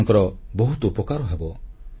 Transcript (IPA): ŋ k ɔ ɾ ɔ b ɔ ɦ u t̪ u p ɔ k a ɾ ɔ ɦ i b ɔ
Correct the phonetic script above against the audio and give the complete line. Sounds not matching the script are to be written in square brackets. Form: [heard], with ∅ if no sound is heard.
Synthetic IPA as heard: ŋ k ɔ ɾ ɔ b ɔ ɦ u t̪ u p ɔ k a ɾ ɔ ɦ [e] b ɔ